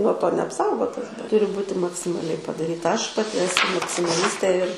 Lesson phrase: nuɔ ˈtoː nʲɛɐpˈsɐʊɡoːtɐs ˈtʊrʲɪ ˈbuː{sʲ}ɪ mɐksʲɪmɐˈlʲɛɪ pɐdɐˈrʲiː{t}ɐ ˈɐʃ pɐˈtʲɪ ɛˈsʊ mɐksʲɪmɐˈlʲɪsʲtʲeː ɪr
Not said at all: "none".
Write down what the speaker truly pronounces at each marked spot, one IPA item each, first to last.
tʲ, t

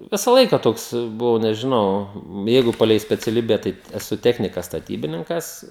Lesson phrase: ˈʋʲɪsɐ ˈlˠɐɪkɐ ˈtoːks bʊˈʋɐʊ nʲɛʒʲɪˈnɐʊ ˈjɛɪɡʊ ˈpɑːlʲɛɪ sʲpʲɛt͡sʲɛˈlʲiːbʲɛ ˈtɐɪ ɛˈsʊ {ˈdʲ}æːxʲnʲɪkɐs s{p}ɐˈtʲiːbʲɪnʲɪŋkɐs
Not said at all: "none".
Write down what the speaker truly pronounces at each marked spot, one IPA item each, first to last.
tʲ, t

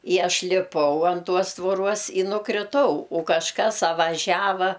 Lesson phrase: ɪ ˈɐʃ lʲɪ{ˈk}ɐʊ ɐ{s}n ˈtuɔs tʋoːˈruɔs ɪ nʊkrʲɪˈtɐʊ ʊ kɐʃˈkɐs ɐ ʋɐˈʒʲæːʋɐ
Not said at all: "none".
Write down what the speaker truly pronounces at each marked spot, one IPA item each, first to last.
p, none

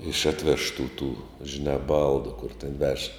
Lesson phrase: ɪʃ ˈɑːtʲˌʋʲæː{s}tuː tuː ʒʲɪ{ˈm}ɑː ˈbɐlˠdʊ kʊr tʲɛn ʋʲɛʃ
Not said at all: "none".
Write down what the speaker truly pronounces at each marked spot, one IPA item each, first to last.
ʃ, n

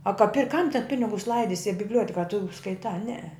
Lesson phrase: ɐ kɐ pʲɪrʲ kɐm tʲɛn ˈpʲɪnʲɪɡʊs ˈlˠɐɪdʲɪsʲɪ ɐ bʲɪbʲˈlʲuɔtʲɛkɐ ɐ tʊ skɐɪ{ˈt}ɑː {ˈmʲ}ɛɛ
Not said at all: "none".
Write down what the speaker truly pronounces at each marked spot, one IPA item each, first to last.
t, nʲ

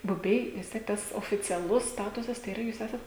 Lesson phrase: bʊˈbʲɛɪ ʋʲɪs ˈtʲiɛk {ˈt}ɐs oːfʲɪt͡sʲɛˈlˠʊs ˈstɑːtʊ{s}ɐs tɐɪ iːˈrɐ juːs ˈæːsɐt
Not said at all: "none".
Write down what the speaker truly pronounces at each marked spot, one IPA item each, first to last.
t, s

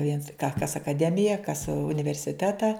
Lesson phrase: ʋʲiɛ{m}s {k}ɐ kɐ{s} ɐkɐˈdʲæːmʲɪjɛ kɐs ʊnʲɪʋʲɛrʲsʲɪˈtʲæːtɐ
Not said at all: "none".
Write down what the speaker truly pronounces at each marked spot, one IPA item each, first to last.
n, k, s

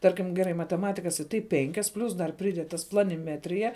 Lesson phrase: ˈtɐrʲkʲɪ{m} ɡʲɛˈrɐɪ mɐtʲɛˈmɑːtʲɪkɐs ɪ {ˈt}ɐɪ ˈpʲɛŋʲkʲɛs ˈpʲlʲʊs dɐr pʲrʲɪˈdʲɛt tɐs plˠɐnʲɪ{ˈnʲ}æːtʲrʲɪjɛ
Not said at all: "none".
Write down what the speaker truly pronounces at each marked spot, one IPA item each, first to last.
m, t, mʲ

